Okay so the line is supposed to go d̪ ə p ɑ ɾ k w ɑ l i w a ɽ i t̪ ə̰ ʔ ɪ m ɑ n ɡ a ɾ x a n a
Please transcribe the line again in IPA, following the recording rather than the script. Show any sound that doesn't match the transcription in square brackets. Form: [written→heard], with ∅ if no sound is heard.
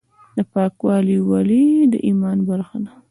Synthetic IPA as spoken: d̪ ə p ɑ [ɾ→∅] k w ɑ l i w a [ɽ→l] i [t̪→d̪] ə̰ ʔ [ɪ→i] m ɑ n [ɡ→b] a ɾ x a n a